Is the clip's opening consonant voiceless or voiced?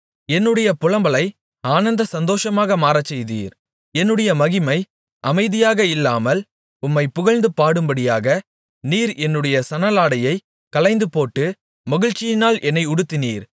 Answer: voiced